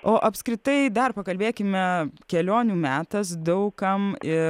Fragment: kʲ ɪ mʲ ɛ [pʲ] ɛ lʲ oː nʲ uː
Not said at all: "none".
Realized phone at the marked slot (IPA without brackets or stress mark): kʲ